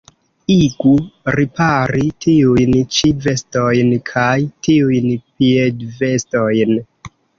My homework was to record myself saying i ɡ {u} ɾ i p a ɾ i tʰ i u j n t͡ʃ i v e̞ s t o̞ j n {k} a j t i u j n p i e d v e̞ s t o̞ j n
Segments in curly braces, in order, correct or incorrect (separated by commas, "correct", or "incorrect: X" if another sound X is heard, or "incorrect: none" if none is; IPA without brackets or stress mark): correct, incorrect: kʰ